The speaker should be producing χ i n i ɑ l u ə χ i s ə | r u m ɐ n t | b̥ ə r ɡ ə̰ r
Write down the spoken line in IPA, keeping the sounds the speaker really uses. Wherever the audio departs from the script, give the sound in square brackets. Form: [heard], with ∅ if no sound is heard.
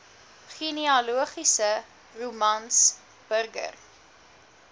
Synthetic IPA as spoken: χ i n i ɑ l u ə χ i s ə | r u m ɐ n [s] | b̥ ə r ɡ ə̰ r

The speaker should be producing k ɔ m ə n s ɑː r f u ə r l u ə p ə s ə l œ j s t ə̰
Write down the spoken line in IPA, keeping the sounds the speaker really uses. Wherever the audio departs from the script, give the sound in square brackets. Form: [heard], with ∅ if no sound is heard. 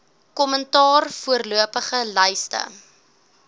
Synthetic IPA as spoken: k ɔ m ə n [t] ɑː r f u ə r l u ə p ə [χ] ə l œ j s t ə̰

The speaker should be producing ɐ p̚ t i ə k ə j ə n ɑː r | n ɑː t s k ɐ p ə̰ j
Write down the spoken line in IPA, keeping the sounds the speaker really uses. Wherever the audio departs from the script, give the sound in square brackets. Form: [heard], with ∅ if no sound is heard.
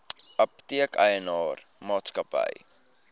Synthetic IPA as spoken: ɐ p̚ t i ə k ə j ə n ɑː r | [m] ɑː t s k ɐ p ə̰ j

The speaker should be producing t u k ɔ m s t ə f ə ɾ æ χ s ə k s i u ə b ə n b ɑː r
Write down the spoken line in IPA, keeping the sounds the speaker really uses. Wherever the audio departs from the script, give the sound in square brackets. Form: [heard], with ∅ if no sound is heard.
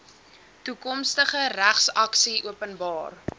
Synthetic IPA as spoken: t u k ɔ m s t ə [χ] ə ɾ æ χ s [ɐ] k s i u ə [p] ə n b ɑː r

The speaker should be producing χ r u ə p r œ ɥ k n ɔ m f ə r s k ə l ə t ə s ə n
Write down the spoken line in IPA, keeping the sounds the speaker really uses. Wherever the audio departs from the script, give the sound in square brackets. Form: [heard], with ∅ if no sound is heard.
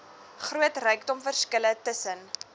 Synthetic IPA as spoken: χ r u ə [t] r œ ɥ k [d] ɔ m f ə r s k ə l ə t ə s ə n

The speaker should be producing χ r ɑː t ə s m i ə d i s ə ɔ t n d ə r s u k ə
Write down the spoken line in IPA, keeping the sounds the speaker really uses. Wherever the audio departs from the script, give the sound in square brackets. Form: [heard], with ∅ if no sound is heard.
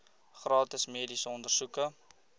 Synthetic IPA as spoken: χ r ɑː t ə s m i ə d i s ə ɔ [∅] n d ə r s u k ə

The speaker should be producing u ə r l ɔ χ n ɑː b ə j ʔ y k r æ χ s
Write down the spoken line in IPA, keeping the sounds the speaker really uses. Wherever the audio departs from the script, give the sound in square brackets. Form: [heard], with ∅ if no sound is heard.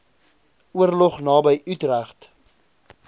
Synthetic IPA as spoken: u ə r l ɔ χ n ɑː b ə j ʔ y [t] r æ χ [t]

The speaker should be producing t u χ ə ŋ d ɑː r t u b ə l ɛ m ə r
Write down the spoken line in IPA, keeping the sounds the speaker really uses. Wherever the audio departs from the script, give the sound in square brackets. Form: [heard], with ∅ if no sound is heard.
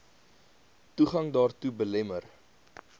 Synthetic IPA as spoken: t u χ [ɐ] ŋ d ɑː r t u b ə l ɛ m ə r

